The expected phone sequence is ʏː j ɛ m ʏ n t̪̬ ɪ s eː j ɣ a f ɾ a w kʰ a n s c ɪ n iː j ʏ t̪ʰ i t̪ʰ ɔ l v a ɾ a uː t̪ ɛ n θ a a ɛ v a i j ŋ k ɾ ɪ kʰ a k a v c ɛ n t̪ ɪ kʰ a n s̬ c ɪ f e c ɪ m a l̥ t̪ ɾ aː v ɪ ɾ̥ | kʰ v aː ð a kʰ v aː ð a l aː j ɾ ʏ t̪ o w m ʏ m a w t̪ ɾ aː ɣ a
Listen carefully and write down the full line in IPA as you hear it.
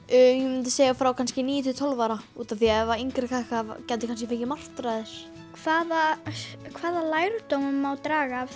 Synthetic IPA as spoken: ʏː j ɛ m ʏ n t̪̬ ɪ s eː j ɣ a f ɾ a w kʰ a n s c ɪ n iː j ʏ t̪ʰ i t̪ʰ ɔ l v a ɾ a uː t̪ a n θ i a ɛ v a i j ŋ k ɾ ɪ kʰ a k a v c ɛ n t̪ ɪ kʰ a n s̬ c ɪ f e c ɪ m a r̥ t̪ ɾ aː ð ɪ ɾ̥ | kʰ v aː ð a kʰ v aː ð a l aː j ɾ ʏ t̪ o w m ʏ m a w t̪ ɾ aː ɣ a

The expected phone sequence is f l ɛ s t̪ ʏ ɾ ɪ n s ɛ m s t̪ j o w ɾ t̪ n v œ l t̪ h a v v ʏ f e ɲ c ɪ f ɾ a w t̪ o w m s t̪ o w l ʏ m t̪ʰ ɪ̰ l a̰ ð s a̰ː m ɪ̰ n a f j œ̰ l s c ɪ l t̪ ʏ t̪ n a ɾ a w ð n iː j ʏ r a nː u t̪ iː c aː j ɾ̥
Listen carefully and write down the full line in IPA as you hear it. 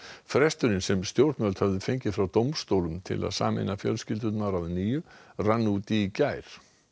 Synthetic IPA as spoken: f ɾ ɛ s t̪ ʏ ɾ ɪ n s ɛ m s t̪ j o w ɾ t̪ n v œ l t̪ h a v ð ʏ f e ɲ c ɪ f ɾ a w t̪ o w m s t̪ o w l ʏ m t̪ʰ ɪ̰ l a̰ ð s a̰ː m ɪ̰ n a f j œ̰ l s c ɪ l t̪ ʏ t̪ n a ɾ a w ð n iː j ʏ r a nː u t̪ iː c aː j ɾ̥

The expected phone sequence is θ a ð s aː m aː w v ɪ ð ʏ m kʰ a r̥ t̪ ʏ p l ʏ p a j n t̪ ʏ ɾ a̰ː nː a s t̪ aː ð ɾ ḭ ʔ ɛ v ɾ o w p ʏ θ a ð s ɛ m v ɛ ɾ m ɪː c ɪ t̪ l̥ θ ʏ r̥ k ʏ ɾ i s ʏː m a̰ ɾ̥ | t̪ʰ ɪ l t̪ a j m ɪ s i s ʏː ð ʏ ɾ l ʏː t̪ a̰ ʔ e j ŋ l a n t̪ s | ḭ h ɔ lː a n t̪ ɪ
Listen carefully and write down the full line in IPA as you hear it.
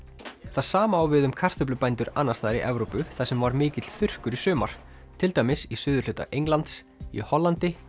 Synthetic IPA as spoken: θ a ð s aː m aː w v ɪ ð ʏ m kʰ a r̥ t̪ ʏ p l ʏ p a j n t̪ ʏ ɾ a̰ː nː a s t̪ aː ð ɾ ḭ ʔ ɛ v ɾ o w p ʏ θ a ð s ɛ m v a ɾ m ɪː c ɪ t̪ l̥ θ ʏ r̥ k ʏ ɾ i s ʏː m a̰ ɾ̥ | t̪ʰ ɪ l t̪ a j m ɪ s i s ʏː ð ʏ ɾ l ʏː t̪ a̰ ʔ e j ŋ l a n t̪ s | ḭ h ɔ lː a n t̪ ɪ

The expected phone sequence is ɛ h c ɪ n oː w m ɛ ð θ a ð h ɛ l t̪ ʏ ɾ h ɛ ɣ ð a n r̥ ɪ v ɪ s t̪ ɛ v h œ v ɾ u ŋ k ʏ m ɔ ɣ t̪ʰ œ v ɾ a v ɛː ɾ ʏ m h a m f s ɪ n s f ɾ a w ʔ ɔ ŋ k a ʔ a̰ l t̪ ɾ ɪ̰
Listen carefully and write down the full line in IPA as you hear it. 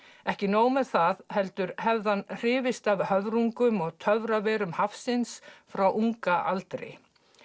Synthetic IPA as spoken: ɛ h c ɪ n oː w m ɛ ð θ a ð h ɛ l t̪ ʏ ɾ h ɛ v ð a n r̥ ɪː v ɪ s t̪ a v h œ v ɾ u ŋ k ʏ m ɔ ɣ t̪ʰ œ v ɾ a v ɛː ɾ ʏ m h a f s ɪ n s f ɾ a w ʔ u ŋ k a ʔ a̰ l t̪ ɾ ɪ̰

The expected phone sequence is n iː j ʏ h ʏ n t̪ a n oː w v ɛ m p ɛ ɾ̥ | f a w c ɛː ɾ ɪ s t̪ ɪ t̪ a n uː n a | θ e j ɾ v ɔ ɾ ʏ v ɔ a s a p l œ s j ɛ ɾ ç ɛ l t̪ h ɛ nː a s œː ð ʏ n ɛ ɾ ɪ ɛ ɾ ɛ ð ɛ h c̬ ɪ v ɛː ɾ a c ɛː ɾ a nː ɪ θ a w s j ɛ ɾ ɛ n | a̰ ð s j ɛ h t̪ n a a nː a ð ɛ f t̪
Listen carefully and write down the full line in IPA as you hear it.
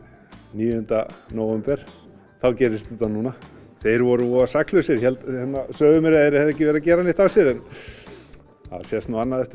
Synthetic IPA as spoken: n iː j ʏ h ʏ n t̪ a n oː w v ɛ m p ɛ ɾ̥ | θ a w c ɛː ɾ ɪ s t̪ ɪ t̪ a n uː n a | θ e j ɾ v ɔ ɾ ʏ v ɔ a s a k l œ s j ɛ ɾ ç ɛ l t̪ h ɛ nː a s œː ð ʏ m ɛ ɾ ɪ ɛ ɾ ɛ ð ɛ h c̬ ɪ v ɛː ɾ a c ɛː ɾ a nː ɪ θ a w s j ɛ ɾ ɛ n | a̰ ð s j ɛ s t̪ n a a nː a ð ɛ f t̪

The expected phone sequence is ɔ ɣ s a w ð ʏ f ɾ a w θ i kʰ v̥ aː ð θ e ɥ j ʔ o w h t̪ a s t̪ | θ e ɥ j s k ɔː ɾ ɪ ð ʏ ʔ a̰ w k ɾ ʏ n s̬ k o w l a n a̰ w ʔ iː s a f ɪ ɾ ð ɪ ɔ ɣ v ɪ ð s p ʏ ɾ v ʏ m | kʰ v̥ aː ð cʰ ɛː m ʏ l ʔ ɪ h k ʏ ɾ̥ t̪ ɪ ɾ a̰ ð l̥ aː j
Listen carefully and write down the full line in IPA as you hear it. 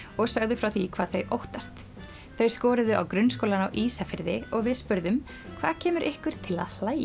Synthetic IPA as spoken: ɔ ɣ s a ɣ ð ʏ f ɾ a w θ i kʰ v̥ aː ð θ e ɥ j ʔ o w h t̪ a s t̪ | θ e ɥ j s k ɔː ɾ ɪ ð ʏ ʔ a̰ w k ɾ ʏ n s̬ k o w l a n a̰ w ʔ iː s a f ɪ ɾ ð ɪ ɔ ɣ v ɪ ð s p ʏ ɾ ð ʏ m | kʰ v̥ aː ð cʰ ɛː m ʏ ɾ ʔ ɪ h k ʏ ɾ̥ t̪ʰ ɪ l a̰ ð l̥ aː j

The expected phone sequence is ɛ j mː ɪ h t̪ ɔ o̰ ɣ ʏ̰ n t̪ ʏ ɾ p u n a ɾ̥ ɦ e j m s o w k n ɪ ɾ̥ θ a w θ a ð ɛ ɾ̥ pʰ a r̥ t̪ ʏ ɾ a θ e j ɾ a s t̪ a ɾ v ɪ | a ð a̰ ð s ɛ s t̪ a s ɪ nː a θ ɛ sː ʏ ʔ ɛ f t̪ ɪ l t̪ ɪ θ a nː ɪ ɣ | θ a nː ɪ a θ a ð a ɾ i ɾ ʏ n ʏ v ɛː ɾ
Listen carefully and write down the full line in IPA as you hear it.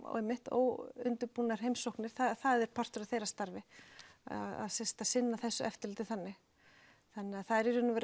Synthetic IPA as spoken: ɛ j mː ɪ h t̪ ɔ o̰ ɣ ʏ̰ n t̪ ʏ ɾ p u n a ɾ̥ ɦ e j m s o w k n ɪ ɾ̥ θ a θ a ð ɛ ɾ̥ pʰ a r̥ t̪ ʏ ɾ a θ e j ɾ a s t̪ a ɾ v ɪ | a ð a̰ ð s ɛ s t̪ a s ɪ nː a θ ɛ sː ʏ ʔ ɛ f t̪ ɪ l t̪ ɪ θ a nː ɪ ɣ | θ a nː ɪ a θ a ð ɛ ɾ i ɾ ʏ n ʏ v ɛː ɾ

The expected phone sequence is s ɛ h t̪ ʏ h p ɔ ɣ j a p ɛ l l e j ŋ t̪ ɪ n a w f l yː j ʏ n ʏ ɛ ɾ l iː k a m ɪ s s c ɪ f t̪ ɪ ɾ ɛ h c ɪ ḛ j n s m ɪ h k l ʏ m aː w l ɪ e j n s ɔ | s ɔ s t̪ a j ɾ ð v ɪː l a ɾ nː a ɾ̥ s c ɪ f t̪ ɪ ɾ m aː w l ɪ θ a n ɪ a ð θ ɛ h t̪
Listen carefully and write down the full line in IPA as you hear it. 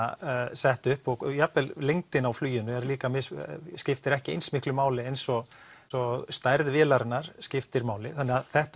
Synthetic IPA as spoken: s ɛ h t̪ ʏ h p ɔ ɣ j a p ɛ l l e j ŋ t̪ ɪ n a w f l yː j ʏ n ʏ ɛ ɾ l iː k a m ɪ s s c ɪ f t̪ ɪ ɾ ɛ h c ɪ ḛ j n s m ɪ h k l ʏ m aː w l ɪ e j n s ɔ | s ɔ s t̪ a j ɾ ð v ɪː l a ɾ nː a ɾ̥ s c ɪ f t̪ ɪ ɾ m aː w l ɪ θ a n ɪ a ð θ ɛ h t̪

